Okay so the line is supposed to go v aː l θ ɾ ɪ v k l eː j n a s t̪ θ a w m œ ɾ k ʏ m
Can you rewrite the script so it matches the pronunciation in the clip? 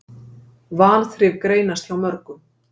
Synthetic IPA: v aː l θ ɾ ɪ v k ɾ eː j n a s t̪ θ a w m œ ɾ k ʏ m